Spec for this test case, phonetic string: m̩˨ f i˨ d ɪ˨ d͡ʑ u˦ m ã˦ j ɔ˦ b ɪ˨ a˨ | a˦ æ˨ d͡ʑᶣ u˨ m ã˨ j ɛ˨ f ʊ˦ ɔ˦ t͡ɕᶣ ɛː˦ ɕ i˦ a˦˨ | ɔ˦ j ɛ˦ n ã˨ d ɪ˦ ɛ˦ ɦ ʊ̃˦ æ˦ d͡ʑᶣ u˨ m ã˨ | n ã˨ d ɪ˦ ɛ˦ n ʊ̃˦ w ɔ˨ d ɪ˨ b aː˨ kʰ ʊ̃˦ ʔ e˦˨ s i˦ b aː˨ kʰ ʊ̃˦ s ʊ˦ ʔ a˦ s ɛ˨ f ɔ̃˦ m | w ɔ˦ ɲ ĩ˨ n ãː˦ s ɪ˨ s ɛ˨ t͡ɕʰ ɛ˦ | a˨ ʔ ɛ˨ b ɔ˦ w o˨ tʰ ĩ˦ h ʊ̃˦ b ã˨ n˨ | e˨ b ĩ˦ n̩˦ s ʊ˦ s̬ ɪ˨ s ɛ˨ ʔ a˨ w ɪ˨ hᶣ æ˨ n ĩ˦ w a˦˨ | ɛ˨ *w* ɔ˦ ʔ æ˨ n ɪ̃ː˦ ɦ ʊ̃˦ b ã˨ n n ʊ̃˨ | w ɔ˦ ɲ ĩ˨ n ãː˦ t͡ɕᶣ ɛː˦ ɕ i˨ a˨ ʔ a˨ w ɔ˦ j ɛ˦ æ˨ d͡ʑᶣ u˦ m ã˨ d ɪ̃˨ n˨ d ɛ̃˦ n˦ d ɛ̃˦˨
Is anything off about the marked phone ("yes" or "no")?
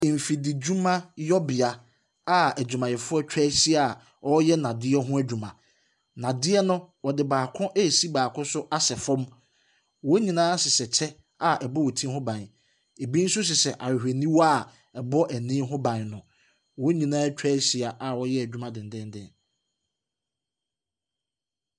yes